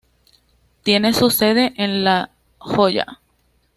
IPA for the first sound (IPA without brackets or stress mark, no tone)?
t̪